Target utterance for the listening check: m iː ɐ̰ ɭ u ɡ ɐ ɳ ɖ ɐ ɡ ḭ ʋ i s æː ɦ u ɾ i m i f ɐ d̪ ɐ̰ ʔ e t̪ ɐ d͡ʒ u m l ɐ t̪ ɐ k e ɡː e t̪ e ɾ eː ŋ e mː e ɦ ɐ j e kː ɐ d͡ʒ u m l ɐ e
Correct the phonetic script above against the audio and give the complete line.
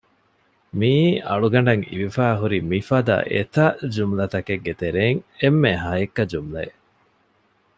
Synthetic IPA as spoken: m iː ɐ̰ ɭ u ɡ ɐ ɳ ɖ ɐ ŋ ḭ ʋ i f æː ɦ u ɾ i m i f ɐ d̪ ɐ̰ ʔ e t̪ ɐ d͡ʒ u m l ɐ t̪ ɐ k e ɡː e t̪ e ɾ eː ŋ e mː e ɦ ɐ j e kː ɐ d͡ʒ u m l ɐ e